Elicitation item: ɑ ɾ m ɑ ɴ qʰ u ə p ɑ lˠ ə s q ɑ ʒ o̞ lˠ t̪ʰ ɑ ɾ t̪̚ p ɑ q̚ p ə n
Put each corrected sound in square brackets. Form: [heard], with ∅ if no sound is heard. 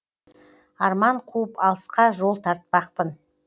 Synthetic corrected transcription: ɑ ɾ m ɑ ɴ qʰ u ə p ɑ lˠ ə s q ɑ ʒ o̞ lˠ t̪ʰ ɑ ɾ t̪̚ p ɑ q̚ p ə n